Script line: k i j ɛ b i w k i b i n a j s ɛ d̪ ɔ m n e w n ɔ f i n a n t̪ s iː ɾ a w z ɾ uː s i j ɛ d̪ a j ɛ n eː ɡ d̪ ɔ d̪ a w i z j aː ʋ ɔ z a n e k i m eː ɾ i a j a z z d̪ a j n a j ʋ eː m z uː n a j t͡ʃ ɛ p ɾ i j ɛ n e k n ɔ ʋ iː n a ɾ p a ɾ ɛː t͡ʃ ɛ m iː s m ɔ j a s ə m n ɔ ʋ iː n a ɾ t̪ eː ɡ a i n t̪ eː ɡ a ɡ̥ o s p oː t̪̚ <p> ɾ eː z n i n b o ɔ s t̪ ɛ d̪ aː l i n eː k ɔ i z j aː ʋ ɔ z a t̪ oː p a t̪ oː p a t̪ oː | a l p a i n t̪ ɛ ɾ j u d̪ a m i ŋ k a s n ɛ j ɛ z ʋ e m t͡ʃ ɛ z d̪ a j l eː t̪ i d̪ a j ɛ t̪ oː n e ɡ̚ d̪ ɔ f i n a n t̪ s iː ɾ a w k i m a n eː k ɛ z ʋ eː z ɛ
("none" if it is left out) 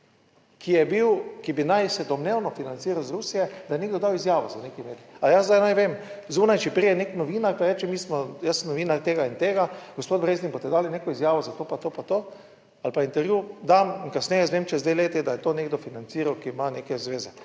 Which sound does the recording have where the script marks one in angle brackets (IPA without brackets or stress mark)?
b